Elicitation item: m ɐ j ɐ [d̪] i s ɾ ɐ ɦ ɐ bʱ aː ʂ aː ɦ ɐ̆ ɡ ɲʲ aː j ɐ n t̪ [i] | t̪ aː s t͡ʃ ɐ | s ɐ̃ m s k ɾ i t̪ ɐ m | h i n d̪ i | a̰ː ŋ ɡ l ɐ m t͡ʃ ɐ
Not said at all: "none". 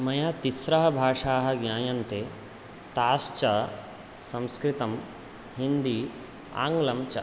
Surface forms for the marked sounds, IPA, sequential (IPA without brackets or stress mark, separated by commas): t̪, e